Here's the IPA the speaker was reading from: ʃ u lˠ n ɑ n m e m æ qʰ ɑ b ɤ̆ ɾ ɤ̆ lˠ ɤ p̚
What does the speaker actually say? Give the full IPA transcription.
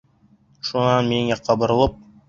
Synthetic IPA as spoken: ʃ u n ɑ n m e ŋ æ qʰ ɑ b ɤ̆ ɾ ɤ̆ lˠ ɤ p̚